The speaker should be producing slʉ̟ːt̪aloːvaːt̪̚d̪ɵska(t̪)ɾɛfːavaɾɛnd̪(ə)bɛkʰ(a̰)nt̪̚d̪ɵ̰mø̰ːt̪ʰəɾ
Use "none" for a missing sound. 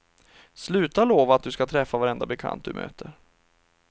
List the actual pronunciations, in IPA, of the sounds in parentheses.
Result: t̪ʰ, a, a̰

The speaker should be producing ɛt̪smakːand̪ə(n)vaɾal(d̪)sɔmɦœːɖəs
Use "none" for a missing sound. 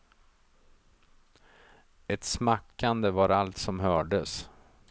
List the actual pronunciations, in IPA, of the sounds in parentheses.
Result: none, t̪

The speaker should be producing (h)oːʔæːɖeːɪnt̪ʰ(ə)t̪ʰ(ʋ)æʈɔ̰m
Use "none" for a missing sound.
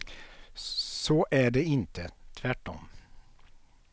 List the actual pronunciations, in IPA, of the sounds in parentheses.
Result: s, ə, ʋ

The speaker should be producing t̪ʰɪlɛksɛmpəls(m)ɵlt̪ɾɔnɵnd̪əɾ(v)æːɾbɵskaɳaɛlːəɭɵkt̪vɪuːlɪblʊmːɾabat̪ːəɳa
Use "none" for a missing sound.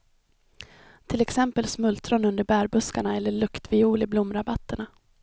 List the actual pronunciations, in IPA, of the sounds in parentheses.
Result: m, b

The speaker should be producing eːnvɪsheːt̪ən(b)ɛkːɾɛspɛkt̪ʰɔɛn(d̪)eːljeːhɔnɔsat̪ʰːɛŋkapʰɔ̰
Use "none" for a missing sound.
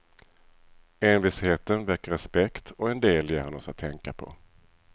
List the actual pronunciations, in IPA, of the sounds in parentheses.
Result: v, d̪

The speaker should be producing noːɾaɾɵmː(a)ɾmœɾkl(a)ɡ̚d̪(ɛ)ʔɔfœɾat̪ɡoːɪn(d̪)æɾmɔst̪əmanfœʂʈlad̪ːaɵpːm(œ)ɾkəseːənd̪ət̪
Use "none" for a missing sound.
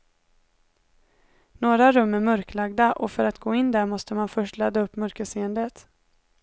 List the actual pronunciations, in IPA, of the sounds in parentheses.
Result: æ, a, a, d̪, œ

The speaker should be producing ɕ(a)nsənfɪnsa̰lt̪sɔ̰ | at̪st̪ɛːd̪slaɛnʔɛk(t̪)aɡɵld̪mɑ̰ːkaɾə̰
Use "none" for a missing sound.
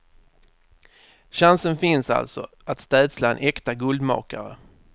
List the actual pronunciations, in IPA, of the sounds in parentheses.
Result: a, t̪

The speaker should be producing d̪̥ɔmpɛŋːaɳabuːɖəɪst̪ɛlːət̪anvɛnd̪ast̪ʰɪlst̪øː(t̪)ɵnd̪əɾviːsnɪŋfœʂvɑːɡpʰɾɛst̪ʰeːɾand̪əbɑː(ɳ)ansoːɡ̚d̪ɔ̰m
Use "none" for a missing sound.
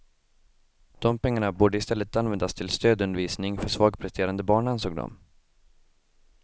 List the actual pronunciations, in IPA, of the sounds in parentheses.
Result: d̪, ɳ

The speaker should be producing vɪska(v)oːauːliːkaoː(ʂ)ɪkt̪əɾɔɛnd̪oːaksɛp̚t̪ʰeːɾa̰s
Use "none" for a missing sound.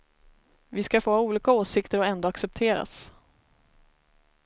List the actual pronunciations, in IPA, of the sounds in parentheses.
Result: f, s

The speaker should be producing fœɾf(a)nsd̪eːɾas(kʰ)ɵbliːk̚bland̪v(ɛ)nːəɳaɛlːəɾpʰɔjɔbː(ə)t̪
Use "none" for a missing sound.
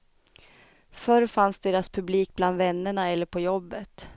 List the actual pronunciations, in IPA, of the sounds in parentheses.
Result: a, pʰ, ɛ, ə

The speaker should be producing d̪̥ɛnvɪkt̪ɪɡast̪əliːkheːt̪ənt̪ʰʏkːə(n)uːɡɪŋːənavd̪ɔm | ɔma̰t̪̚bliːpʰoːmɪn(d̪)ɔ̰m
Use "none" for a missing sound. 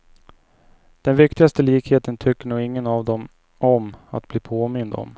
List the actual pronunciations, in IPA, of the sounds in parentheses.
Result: ɳ, d̪

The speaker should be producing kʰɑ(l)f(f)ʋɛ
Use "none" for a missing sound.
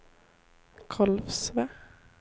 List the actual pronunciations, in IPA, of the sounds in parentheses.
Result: l, s

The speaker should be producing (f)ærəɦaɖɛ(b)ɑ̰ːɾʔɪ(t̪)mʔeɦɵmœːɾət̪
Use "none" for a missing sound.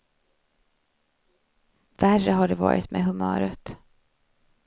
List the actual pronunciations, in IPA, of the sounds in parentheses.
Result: v, v, t̪

